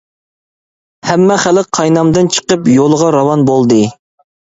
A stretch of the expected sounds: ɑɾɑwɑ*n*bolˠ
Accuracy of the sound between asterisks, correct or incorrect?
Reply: correct